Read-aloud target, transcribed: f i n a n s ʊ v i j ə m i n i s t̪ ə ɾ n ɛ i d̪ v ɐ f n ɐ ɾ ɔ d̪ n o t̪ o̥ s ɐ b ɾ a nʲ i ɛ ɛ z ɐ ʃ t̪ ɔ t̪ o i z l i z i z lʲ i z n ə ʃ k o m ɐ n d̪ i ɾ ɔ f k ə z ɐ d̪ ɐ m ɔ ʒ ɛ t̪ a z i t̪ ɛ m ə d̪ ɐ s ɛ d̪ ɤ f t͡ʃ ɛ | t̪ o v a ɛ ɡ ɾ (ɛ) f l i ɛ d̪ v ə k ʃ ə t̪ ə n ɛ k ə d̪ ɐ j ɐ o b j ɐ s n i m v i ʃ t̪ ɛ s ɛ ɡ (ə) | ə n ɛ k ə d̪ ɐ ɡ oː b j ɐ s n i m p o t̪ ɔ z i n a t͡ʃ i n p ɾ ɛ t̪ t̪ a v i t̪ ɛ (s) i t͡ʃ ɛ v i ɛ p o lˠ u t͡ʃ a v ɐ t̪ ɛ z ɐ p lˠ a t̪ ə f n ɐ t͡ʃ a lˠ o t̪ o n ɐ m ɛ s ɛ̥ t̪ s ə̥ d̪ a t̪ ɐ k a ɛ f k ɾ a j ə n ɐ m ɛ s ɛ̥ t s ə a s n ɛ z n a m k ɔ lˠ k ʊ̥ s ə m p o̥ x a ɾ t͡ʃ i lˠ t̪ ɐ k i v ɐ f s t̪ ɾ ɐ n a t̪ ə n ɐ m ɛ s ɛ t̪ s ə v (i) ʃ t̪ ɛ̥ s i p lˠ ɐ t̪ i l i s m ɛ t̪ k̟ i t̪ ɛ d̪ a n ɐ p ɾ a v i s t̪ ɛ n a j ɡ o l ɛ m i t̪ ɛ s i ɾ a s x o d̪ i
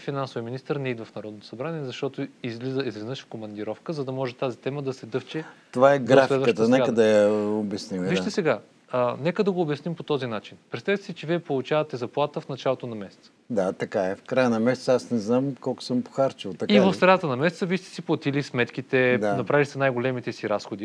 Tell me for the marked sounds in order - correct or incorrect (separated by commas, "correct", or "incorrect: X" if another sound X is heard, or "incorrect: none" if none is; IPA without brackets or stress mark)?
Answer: incorrect: a, incorrect: a, correct, correct